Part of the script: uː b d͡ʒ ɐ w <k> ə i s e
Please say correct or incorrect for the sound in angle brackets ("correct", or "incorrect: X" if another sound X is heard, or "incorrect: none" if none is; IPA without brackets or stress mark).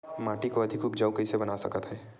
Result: correct